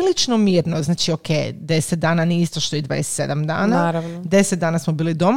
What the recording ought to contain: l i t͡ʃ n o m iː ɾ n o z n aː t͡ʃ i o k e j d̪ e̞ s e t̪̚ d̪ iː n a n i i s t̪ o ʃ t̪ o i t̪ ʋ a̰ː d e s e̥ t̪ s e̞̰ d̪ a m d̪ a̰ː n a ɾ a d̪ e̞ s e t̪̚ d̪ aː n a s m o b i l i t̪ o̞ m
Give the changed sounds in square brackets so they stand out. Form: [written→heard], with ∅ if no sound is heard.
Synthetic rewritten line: l i t͡ʃ n o m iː ɾ n o z n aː t͡ʃ i o k e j d̪ e̞ s e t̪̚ d̪ [iː→aː] n a n i i s t̪ o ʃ t̪ o i [t̪→d̪] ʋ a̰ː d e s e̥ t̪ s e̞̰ d̪ a m d̪ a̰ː n a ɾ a d̪ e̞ s e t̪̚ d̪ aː n a s m o b [i→iː] l i [t̪→d̪] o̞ m